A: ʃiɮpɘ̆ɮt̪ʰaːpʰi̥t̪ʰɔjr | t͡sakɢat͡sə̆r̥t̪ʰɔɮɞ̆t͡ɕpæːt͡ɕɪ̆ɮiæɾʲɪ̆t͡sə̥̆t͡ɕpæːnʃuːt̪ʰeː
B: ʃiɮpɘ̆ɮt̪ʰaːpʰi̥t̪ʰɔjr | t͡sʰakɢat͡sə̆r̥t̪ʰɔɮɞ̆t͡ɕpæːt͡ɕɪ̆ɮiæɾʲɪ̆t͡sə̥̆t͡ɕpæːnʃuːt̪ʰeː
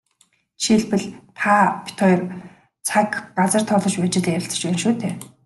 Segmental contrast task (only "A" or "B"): B